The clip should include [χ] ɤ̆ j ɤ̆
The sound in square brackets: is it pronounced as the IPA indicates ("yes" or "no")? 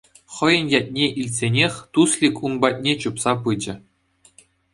yes